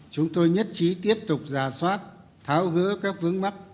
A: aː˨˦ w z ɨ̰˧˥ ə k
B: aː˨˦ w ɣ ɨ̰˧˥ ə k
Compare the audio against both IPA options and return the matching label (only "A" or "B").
B